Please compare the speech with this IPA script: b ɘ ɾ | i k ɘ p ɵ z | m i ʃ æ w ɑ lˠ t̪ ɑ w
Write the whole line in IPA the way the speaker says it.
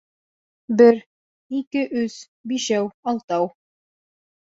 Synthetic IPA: b ɘ ɾ | i k ɘ ʔ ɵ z | b i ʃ æ w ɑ lˠ t̪ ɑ w

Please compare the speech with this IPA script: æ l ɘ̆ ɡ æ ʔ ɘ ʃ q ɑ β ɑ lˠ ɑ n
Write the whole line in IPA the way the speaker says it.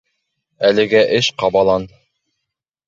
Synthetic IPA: æ l ɘ̆ ɡ æ ʔ ɘ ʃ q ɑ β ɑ lˠ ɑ n

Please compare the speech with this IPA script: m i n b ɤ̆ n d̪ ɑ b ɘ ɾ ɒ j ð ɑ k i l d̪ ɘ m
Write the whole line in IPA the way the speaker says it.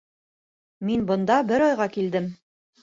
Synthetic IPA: m i n b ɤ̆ n d̪ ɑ b ɘ ɾ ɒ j ʁ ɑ k i l d̪ ɘ m

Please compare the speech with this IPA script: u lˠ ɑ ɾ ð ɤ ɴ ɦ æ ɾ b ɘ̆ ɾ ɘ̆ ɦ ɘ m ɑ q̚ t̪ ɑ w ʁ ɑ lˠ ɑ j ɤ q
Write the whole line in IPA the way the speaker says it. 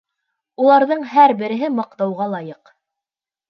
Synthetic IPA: u lˠ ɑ ɾ ð ɤ ɴ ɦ æ ɾ b ɘ̆ ɾ ɘ̆ ɦ ɘ m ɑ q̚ t̪ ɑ w ʁ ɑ lˠ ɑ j ɤ q

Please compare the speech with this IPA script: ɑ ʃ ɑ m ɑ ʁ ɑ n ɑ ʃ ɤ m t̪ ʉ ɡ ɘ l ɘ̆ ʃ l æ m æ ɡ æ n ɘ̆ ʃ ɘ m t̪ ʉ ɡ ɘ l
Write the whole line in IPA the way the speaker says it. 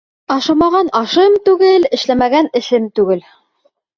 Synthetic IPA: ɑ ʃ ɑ m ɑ ʁ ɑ n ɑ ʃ ɤ m t̪ ʉ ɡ ɘ l ɘ̆ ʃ l æ m æ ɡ æ n ɘ̆ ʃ ɘ m t̪ ʉ ɡ ɘ l

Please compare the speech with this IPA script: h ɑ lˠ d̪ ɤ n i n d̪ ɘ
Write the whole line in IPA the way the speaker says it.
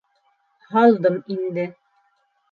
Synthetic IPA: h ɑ lˠ d̪ ɤ m i n d̪ ɘ

